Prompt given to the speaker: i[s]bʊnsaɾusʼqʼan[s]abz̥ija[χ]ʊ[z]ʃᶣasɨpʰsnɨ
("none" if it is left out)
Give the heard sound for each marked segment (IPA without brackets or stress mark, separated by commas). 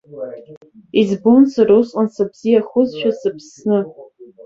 z, s, χ, z